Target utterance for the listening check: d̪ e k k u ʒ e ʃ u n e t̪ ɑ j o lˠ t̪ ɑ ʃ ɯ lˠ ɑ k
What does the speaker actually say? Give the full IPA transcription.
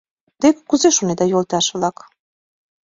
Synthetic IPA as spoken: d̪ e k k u z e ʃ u n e d̪ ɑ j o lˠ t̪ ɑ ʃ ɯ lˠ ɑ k